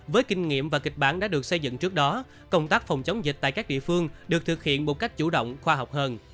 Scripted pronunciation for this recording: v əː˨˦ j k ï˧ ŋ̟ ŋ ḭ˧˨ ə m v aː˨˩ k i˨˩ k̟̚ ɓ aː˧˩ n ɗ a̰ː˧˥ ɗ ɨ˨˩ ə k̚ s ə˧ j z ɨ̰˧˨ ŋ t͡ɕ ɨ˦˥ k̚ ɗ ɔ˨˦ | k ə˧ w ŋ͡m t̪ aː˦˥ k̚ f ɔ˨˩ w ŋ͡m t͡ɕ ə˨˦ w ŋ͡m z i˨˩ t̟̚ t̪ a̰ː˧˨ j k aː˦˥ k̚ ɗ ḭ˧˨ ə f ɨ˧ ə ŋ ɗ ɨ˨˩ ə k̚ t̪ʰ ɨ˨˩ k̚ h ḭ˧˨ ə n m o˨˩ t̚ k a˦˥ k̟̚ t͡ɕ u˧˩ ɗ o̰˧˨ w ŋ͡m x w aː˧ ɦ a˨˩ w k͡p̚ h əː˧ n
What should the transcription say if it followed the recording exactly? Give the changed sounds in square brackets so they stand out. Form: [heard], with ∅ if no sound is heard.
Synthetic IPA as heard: v əː˨˦ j k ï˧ ŋ̟ ŋ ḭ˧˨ ə m v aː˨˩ k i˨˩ k̟̚ ɓ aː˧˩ n ɗ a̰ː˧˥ ɗ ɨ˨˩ ə k̚ s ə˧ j z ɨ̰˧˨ ŋ t͡ɕ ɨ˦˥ k̚ ɗ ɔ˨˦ | k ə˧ w ŋ͡m t̪ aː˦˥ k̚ f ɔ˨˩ w ŋ͡m t͡ɕ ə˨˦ w ŋ͡m z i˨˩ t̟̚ t̪ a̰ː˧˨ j k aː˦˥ k̚ ɗ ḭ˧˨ ə f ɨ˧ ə ŋ ɗ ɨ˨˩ ə k̚ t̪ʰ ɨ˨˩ k̚ h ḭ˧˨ ə n m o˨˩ t̚ k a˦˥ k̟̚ t͡ɕ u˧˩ ɗ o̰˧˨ w ŋ͡m x w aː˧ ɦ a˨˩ w k͡p̚ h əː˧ n